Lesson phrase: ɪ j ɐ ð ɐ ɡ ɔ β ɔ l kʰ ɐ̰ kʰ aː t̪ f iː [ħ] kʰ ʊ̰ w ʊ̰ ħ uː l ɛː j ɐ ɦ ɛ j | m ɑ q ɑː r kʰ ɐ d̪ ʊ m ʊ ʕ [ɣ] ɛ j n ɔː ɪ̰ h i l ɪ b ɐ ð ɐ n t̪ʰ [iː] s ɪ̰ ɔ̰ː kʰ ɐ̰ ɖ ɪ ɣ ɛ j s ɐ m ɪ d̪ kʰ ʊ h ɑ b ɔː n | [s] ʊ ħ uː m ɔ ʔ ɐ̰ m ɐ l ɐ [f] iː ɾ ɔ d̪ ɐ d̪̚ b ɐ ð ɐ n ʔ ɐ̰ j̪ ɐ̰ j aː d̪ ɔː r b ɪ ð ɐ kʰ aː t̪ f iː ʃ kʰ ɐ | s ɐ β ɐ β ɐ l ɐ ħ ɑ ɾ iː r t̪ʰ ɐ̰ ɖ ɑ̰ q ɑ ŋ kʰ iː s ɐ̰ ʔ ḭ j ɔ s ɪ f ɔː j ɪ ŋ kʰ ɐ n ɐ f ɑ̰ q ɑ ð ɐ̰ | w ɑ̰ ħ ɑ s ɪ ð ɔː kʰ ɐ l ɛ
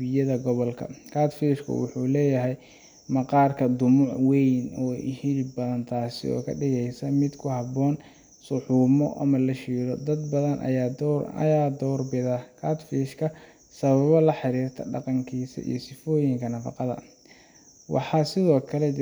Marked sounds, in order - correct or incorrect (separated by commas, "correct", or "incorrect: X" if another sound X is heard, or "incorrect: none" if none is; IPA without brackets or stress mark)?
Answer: incorrect: ʃ, incorrect: w, incorrect: aː, correct, incorrect: ʃ